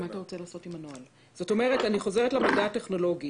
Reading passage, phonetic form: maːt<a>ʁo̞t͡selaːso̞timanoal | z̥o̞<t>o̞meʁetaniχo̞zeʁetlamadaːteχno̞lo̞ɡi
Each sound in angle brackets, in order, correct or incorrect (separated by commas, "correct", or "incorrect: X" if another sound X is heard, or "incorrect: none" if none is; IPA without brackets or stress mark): correct, correct